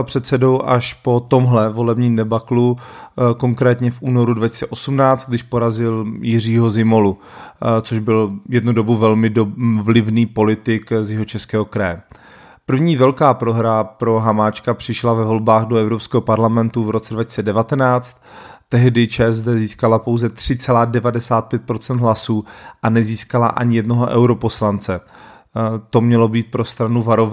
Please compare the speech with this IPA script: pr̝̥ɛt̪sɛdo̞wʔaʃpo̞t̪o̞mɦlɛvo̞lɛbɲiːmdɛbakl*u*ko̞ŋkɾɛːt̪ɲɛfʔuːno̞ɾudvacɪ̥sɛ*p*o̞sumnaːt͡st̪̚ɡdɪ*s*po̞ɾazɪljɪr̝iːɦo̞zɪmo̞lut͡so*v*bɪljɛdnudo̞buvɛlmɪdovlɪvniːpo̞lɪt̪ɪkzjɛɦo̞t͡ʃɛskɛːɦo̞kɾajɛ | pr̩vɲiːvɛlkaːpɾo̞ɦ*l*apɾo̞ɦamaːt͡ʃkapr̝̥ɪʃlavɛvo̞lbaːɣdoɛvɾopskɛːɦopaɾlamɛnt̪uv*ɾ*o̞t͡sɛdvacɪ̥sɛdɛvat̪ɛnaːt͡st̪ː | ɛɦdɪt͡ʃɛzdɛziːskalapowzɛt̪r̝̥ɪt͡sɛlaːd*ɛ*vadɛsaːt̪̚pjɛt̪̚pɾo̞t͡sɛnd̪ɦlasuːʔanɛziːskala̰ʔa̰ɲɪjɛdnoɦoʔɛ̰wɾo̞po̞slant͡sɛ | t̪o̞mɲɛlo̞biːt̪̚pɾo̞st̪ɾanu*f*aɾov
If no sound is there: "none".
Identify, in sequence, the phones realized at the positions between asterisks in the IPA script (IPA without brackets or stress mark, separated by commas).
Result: u, ʔ, ʃ, ʒ, ɾ, ɾ, ɛ, v